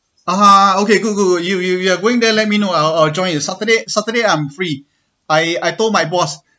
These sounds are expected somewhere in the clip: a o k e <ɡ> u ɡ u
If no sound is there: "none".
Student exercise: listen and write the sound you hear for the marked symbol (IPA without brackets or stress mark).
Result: ɡ